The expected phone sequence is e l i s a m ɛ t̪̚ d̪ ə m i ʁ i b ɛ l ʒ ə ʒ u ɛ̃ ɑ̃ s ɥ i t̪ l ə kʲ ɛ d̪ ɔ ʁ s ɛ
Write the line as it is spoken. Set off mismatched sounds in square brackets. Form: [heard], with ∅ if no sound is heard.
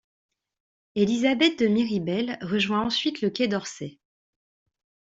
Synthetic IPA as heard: e l i [z] a [b] ɛ t̪̚ d̪ ə m i ʁ i b ɛ l [ʁ] ə ʒ [w] ɛ̃ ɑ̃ s ɥ i t̪ l ə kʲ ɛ d̪ ɔ ʁ s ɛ